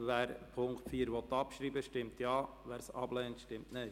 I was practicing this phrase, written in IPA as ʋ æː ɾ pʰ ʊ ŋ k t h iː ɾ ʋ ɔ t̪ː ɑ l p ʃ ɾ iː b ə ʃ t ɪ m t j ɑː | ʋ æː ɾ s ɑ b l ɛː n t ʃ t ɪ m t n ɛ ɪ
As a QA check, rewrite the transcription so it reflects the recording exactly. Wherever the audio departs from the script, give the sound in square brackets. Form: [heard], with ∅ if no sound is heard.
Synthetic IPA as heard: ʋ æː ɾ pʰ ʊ ŋ k t [f] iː ɾ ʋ ɔ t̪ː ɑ [∅] p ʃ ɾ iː b ə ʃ t ɪ m t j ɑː | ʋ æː ɾ s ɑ b l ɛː n t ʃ t ɪ m t n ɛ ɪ